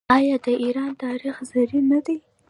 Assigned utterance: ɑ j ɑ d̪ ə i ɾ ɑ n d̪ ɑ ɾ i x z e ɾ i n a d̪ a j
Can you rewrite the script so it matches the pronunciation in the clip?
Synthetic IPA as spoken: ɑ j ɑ d̪ ə i ɾ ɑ n t̪ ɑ ɾ i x z a ɾ i n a d̪ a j

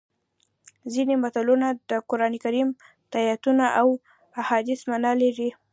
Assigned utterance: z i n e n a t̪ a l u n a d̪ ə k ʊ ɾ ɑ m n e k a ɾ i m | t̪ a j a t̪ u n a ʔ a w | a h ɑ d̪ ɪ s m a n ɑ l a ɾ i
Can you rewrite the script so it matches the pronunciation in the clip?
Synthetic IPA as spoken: z i n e m a t̪ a l u n a d̪ ə k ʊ ɾ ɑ n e k a ɾ i m | t̪ a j a t̪ u n a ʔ a w | a h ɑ d̪ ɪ s m a n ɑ l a ɾ i

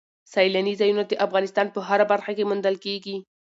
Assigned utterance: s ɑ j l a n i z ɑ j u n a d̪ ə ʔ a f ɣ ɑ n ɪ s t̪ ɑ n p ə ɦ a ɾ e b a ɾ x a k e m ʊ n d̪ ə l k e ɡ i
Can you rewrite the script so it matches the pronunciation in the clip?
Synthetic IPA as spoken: s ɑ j l a n i z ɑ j u n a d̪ ə ʔ a f ɣ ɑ n ɪ s t̪ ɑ n p ə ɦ a ɾ a b a ɾ x a k e m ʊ n d̪ ə l k e ɡ i

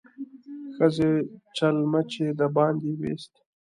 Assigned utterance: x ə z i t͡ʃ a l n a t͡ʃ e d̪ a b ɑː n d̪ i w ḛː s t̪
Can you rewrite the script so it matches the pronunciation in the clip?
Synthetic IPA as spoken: x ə z e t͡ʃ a l m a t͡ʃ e d̪ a b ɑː n d̪ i w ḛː s t̪

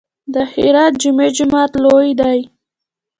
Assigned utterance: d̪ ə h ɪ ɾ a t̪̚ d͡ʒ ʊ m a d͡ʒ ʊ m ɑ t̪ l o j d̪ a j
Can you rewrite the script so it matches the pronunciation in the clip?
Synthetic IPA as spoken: d̪ ə h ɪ ɾ ɑ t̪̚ d͡ʒ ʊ m e d͡ʒ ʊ m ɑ t̪ l o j d̪ a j

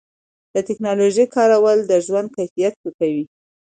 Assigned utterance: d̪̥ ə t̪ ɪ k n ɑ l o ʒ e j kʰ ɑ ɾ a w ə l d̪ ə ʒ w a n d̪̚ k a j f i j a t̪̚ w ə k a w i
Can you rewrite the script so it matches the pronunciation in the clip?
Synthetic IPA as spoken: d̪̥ ə t̪ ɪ k n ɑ l o ʒ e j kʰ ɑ ɾ a w ə l d̪ ə ʒ w a n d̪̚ k a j f i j a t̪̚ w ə k a w i

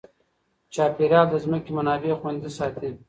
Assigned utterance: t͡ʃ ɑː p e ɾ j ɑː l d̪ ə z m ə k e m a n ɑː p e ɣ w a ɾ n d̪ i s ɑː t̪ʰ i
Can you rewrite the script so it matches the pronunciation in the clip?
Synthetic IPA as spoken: t͡ʃ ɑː p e ɾ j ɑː l d̪ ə z m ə k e m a n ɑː b e x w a n d̪ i s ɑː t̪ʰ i

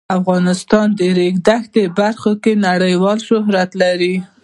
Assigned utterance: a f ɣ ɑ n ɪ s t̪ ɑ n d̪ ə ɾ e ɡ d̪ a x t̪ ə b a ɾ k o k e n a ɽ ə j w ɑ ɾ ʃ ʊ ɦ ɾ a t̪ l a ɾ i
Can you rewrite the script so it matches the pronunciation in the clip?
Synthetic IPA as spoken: a f ɣ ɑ n ɪ s t̪ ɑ n d̪ ə ɾ e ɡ d̪ a x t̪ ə b a ɾ x o k e n a ɽ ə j w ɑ l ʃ ʊ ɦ ɾ a t̪ l a ɾ i

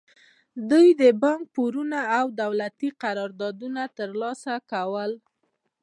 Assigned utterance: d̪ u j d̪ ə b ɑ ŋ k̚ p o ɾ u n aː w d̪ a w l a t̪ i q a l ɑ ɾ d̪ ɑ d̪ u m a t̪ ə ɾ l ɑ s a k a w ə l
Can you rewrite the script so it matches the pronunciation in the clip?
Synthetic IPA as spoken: d̪ u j d̪ ə b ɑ ŋ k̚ p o ɾ u n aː w d̪ a w l a t̪ i q a ɾ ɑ ɾ d̪ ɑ d̪ u n a t̪ ə ɾ l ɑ s a k a w ə l

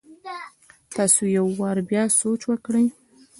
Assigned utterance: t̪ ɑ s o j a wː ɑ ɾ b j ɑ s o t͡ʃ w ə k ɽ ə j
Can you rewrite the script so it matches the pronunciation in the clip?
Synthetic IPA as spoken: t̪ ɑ s o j a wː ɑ ɾ b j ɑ s o t͡ʃ w ə k ɽ ə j

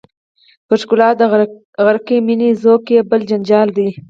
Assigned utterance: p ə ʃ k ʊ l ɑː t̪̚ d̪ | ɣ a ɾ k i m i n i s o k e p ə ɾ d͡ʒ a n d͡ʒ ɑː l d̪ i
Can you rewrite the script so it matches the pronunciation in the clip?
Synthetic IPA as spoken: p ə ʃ k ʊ l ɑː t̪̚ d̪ | ɣ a ɾ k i m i n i z o k e b ə l d͡ʒ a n d͡ʒ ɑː l d̪ i

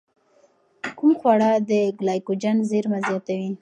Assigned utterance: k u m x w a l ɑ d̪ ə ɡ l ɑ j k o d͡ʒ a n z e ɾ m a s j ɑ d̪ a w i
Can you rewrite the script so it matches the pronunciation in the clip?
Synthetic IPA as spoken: k u m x w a ɽ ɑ d̪ ə ɡ l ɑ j k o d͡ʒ a n z e ɾ m a z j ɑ t̪ a w i

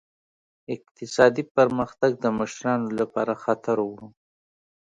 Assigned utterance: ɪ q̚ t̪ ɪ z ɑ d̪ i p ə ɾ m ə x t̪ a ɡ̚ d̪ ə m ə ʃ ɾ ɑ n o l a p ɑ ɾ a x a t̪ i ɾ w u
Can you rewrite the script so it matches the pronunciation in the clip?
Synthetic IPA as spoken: ɪ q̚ t̪ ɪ s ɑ d̪ i p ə ɾ m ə x t̪ a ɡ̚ d̪ ə m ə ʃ ɾ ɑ n o l a p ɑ ɾ a x a t̪ a ɾ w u

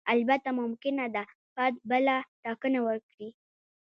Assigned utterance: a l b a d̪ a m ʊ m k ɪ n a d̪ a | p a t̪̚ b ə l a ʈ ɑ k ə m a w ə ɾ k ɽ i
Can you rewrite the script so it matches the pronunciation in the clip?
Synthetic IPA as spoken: a l b a t̪ a m ʊ m k ɪ n a d̪ a | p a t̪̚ b ə l a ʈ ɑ k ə n a w ə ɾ k ɽ i

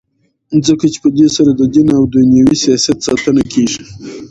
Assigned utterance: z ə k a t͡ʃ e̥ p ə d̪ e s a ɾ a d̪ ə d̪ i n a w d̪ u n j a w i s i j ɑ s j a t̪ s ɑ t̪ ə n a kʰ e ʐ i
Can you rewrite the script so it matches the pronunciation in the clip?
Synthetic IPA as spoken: z ə k a t͡ʃ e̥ p ə d̪ e s a ɾ a d̪ ə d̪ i n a w d̪ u n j a w i s i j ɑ s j a t̪ s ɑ t̪ ə n a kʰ e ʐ i

